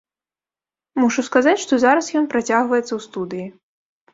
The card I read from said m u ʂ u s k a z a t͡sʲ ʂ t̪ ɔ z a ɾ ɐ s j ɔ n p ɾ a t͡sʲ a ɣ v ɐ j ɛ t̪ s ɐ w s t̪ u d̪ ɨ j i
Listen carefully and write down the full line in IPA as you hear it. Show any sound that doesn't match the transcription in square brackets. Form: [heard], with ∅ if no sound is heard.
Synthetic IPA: m u ʂ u s k a z a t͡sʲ ʂ t̪ ɔ z a ɾ ɐ s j ɔ n p ɾ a t͡sʲ a ɣ v ɐ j ɛ t̪ s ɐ w s t̪ u d̪ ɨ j i